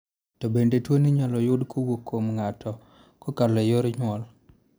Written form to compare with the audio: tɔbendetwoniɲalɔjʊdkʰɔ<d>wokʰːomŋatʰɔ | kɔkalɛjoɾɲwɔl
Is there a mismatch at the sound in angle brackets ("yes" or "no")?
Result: yes